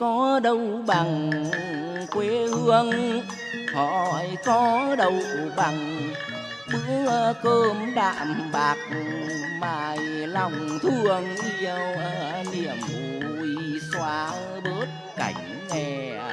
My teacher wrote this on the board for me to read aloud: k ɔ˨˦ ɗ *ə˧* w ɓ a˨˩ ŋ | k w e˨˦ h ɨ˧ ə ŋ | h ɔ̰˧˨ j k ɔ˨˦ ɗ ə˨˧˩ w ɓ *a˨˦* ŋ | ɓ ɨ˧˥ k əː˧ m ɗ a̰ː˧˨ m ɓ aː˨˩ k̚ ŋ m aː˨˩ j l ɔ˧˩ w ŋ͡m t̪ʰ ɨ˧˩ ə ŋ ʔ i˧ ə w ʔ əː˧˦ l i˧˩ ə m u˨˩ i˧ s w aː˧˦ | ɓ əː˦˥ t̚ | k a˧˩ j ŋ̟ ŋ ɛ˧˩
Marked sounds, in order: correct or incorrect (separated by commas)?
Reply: correct, incorrect